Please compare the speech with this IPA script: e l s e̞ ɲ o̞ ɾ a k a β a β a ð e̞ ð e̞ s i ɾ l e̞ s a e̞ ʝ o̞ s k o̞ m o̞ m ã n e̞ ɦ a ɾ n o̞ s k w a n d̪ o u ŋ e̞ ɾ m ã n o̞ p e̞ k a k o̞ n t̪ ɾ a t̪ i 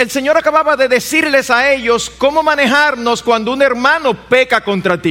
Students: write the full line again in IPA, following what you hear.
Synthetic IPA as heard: e l s e̞ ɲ o̞ ɾ a k a β a β a ð e̞ ð e̞ s i ɾ l e̞ s a e̞ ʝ o̞ s k o̞ m o̞ m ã n e̞ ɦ a ɾ n o̞ s k w a n d̪ o u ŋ e̞ ɾ m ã n o̞ p e̞ k a k o̞ n t̪ ɾ a t̪ i